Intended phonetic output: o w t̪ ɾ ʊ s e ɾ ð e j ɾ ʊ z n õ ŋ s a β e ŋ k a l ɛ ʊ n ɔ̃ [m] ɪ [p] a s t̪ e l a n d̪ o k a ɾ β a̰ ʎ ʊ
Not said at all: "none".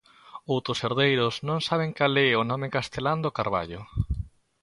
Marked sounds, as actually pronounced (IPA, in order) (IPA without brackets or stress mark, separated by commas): m, k